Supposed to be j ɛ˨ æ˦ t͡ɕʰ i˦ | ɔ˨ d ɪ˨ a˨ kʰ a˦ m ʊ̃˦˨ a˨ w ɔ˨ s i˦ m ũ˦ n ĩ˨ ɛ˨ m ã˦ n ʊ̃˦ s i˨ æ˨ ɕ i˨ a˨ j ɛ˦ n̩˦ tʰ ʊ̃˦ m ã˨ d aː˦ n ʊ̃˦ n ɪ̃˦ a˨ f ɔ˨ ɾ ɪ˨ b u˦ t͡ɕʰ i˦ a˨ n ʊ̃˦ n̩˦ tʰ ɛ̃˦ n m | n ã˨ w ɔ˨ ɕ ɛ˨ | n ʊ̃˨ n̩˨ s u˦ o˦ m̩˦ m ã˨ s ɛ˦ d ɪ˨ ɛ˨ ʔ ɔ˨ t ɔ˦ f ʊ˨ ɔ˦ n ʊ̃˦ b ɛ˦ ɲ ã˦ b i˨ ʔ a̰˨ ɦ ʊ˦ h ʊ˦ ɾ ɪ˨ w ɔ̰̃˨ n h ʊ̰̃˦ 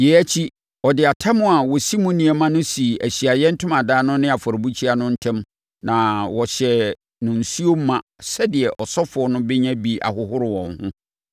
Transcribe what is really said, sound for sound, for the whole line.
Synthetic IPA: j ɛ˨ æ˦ t͡ɕʰ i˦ | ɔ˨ d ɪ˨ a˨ tʰ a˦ m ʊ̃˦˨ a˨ w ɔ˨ s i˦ m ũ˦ n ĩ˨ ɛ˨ m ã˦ n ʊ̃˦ s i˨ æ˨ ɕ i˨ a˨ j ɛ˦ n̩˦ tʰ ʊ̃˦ m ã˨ d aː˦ n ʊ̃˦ n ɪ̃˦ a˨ f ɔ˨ ɾ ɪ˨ b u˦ t͡ɕʰ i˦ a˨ n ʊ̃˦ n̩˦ tʰ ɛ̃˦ m | n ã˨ w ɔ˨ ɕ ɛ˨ | n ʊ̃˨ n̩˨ s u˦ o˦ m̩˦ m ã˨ s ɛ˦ d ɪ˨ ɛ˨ ʔ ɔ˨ s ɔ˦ f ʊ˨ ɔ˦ n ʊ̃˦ b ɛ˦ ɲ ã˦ b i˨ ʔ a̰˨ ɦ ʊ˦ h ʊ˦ ɾ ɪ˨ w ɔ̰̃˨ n h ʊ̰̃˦